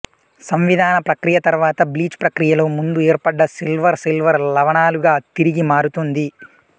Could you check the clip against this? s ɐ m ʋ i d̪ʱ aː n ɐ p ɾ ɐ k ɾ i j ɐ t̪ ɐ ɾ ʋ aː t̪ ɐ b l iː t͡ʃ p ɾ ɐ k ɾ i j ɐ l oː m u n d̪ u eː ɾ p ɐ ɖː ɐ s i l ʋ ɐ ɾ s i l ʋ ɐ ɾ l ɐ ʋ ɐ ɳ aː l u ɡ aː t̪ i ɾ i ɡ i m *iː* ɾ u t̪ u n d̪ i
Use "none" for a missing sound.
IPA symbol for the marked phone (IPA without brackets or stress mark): aː